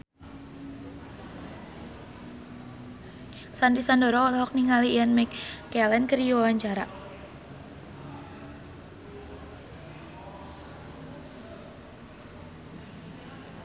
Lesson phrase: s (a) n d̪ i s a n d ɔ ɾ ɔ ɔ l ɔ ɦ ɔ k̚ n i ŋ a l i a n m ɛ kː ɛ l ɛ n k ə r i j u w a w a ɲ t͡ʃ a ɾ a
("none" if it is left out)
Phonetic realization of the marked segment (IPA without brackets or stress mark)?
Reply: a